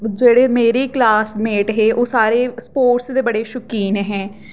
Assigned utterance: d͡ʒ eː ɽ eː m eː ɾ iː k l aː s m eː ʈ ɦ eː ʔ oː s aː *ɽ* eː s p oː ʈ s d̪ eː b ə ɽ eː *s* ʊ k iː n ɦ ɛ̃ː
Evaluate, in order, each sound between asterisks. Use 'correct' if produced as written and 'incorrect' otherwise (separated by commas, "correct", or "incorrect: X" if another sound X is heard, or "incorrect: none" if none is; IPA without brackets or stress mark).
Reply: incorrect: ɾ, incorrect: ʃ